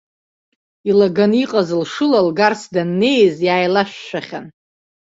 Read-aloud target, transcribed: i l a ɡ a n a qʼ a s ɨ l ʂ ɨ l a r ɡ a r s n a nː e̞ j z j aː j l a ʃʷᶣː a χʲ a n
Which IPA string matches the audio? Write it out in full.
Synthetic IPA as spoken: i l a ɡ a n i qʼ a z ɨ l ʂ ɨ l a l ɡ a r s d a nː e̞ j z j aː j l a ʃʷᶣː a χʲ a n